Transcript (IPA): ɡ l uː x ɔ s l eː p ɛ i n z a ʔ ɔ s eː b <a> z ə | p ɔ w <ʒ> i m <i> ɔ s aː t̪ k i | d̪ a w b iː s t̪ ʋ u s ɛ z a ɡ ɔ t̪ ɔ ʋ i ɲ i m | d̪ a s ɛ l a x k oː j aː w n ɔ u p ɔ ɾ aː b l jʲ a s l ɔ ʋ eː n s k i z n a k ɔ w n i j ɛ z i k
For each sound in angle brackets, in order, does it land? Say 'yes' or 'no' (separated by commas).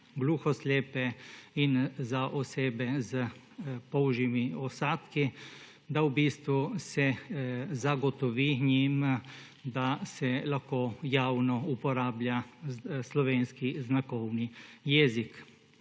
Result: no, yes, yes